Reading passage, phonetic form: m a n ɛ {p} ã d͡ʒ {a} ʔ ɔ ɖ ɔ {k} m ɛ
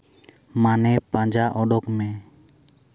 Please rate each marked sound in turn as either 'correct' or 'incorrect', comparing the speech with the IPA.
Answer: correct, correct, correct

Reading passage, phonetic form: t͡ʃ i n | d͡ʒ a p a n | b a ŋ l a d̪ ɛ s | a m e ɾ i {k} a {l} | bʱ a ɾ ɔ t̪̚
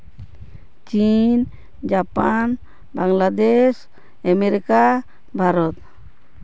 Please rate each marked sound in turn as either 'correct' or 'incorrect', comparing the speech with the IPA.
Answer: correct, incorrect: none

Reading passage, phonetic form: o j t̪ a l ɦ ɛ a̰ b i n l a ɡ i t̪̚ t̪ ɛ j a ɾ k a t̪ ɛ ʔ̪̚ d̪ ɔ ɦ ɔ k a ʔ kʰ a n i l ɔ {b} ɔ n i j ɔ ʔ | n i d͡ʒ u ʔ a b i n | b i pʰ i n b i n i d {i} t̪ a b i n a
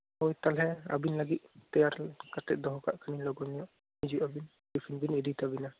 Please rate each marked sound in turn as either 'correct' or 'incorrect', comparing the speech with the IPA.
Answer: incorrect: ɡ, correct

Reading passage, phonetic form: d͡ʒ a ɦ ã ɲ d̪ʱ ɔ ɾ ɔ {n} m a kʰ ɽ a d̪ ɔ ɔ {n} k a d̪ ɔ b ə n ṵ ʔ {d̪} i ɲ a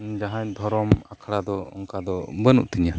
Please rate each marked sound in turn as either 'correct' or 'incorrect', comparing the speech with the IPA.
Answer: incorrect: none, incorrect: ŋ, incorrect: t̪

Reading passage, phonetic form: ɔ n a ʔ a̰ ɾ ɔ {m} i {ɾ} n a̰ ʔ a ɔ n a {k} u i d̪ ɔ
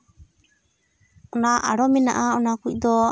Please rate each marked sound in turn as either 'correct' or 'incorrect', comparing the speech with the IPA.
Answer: correct, incorrect: none, correct

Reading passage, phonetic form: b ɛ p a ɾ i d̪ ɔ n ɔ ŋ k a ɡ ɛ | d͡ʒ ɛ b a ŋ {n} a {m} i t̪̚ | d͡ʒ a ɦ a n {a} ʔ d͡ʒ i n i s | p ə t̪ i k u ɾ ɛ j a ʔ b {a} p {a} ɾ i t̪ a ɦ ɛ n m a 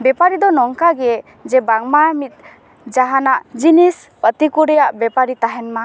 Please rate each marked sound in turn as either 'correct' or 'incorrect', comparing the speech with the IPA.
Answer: incorrect: m, correct, correct, incorrect: ɛ, correct

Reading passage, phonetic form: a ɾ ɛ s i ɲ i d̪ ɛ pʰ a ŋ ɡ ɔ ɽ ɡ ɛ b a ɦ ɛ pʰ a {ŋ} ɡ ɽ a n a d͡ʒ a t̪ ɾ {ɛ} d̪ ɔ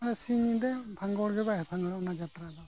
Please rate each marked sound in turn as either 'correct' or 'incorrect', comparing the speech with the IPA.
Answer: correct, incorrect: a

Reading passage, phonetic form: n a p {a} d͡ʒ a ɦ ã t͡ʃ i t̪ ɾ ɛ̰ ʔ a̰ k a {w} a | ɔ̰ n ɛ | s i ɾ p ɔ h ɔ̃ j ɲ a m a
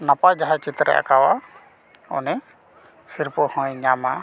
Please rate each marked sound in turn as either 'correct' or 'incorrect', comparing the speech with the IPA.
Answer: correct, correct

